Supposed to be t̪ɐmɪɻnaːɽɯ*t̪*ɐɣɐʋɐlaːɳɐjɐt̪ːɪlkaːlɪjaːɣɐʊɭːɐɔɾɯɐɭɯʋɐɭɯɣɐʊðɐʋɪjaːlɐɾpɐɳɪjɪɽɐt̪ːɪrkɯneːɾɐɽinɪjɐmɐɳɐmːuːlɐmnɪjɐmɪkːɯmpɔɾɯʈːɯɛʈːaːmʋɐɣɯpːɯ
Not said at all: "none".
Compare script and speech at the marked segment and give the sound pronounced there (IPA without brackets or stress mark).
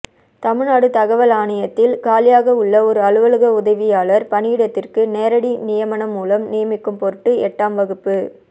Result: t̪